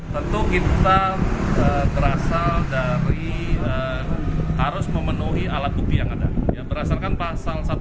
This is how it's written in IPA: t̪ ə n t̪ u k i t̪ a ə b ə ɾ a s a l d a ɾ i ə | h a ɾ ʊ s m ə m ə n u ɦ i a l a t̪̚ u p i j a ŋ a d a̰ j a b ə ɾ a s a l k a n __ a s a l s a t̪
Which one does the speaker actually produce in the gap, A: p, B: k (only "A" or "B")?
A